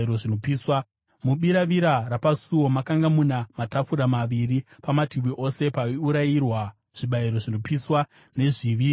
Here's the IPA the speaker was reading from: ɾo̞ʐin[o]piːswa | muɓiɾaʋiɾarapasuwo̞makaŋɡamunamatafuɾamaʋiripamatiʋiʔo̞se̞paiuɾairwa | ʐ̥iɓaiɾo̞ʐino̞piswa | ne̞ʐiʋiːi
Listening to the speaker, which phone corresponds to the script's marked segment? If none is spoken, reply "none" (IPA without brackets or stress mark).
o